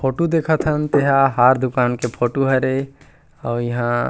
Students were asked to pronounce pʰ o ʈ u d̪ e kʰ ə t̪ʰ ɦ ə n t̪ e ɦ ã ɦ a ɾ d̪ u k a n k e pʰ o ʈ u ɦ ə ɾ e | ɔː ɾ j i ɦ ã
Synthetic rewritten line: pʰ o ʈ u d̪ e kʰ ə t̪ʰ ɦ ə n t̪ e ɦ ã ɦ a ɾ d̪ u k a n k e pʰ o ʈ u ɦ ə ɾ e | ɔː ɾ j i ɦ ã